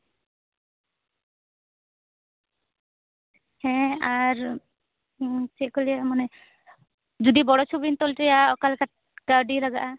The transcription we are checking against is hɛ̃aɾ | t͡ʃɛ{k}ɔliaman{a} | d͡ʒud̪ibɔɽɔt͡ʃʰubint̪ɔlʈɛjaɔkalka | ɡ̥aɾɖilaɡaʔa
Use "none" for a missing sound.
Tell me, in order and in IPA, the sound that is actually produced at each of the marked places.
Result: k, ɛ

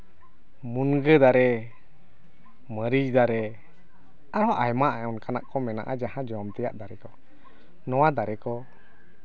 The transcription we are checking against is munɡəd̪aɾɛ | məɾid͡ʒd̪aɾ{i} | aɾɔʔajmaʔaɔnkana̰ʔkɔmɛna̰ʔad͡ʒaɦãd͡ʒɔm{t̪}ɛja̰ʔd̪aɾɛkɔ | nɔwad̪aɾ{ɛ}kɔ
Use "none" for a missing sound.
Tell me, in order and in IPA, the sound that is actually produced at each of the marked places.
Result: ɛ, t̪, ɛ

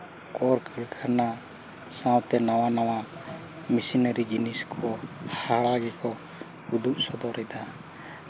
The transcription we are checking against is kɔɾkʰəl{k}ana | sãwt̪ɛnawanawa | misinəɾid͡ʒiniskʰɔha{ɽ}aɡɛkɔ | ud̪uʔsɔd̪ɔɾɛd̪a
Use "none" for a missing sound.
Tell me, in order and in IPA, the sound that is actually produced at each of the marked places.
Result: kʰ, ɾ

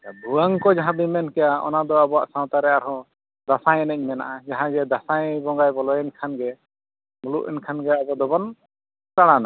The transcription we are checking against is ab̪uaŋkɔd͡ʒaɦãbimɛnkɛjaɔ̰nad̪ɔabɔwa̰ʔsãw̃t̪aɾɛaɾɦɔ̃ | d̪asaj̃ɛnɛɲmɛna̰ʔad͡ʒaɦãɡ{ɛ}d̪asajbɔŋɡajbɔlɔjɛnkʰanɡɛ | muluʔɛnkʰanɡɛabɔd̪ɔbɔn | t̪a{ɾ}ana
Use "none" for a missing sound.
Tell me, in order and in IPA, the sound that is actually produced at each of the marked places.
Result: ɛ, ɽ

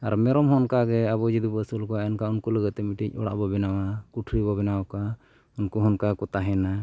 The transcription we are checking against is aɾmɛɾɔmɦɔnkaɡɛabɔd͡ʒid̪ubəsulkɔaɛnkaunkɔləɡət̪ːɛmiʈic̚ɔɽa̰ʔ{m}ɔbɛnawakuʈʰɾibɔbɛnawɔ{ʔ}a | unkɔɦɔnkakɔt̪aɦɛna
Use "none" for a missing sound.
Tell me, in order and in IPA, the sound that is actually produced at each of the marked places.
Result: b, k

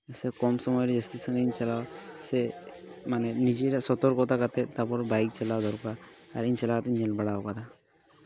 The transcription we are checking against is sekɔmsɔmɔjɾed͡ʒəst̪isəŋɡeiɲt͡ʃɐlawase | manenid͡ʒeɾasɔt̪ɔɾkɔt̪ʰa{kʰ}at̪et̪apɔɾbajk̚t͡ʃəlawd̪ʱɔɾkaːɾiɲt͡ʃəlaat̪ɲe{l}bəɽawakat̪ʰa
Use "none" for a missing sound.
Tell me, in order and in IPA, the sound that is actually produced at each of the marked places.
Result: k, l

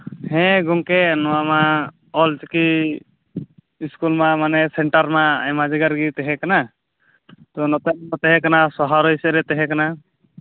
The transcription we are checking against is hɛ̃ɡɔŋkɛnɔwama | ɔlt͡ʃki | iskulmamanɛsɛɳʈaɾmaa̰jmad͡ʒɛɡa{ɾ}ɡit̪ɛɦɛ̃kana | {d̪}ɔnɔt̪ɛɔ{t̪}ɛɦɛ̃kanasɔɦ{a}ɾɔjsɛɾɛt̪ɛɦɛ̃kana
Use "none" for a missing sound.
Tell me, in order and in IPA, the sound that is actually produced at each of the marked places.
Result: ɾ, t̪, t̪, a

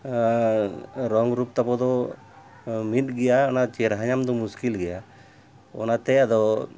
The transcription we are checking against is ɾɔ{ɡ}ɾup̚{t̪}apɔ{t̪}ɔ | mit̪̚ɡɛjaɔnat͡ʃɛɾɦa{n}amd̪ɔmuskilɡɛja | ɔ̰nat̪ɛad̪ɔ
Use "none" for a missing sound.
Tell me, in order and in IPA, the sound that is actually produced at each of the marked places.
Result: ŋ, t̪, d̪, ɲ

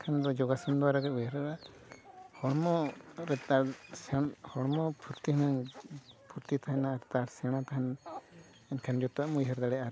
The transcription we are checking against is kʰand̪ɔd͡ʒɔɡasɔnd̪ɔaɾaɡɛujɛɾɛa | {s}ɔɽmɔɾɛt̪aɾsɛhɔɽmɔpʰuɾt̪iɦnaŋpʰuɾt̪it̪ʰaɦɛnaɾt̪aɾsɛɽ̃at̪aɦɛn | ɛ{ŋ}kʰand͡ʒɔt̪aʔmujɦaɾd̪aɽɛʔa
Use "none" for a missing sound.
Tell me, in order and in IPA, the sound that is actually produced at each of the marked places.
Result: h, n

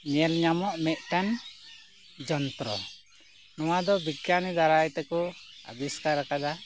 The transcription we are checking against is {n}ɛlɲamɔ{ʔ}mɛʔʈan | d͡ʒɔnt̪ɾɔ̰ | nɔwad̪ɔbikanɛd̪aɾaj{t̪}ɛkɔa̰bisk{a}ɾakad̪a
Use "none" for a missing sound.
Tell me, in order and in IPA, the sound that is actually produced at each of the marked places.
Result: ɲ, ʔ, t̪, a

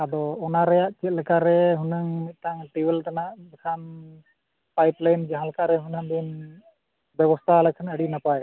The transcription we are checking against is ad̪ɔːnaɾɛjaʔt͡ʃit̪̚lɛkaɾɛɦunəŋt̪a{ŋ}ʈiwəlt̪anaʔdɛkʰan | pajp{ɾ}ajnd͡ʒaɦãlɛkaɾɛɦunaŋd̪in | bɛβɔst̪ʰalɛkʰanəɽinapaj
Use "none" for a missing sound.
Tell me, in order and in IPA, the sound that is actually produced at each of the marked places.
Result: ŋ, l

